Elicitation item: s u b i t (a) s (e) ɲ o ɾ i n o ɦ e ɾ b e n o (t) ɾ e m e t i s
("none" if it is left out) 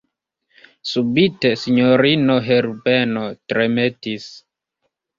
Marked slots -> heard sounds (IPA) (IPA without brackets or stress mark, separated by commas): e, i, t